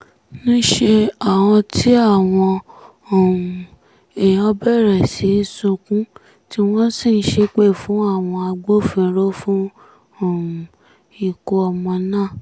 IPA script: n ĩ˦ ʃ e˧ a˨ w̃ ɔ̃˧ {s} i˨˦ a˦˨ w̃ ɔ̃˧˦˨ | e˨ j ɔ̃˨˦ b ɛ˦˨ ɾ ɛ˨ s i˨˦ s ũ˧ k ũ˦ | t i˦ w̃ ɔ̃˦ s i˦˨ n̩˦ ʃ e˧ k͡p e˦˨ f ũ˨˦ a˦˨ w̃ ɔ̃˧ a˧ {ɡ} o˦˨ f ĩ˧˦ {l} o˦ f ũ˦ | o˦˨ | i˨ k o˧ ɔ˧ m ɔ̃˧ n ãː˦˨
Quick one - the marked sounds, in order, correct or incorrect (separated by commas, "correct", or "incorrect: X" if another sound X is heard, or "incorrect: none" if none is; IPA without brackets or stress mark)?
incorrect: t, incorrect: ɡ͡b, incorrect: ɾ